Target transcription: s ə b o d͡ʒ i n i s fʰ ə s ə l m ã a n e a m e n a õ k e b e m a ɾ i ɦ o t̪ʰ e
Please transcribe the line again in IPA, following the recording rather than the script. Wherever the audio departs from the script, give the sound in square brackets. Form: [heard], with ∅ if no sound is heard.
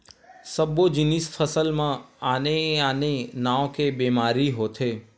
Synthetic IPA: s ə b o d͡ʒ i n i s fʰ ə s ə l m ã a n e a [n] e n a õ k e b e m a ɾ i ɦ o t̪ʰ e